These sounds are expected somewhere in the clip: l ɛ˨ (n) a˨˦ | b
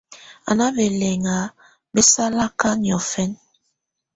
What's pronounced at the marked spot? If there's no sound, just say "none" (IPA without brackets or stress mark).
ŋ